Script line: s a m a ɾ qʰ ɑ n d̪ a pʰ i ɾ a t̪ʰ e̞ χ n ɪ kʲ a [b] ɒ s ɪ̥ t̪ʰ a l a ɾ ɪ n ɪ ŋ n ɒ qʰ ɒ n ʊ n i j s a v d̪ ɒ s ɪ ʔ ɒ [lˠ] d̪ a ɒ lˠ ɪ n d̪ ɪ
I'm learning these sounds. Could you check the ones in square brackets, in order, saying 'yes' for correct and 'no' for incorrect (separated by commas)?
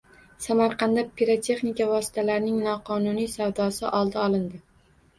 no, yes